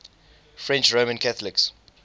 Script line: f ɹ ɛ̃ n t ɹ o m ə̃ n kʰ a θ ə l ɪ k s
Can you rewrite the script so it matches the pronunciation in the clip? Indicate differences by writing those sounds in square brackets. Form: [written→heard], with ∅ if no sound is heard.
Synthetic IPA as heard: f ɹ ɛ̃ n [t→t͡ʃ] ɹ o m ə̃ n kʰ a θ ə l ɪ k s